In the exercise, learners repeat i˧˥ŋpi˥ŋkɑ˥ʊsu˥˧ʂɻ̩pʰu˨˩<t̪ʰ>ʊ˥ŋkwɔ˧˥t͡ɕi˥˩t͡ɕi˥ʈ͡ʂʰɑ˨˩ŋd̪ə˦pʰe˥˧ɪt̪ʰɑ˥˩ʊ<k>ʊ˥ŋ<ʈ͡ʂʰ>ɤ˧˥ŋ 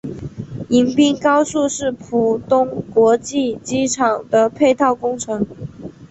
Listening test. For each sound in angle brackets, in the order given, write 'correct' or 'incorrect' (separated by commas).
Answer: incorrect, correct, correct